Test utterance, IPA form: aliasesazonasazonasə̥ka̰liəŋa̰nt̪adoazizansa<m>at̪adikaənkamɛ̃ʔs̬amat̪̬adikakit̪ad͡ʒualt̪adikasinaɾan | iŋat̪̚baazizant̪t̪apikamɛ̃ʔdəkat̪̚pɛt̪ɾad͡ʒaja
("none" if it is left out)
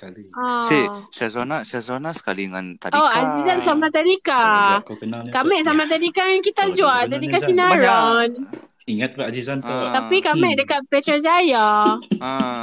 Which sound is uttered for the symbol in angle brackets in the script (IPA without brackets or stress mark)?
m